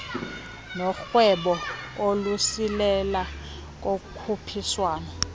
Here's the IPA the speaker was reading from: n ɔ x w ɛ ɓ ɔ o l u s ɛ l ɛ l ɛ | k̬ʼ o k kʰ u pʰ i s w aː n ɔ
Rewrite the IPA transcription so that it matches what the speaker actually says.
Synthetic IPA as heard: n ɔ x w ɛ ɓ ɔ o l u s i l ɛ l a | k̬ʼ o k kʰ u pʰ i s w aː n ɔ